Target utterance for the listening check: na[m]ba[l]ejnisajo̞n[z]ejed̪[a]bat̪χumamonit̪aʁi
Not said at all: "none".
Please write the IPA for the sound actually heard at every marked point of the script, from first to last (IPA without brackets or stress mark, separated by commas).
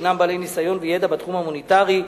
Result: m, l, v, a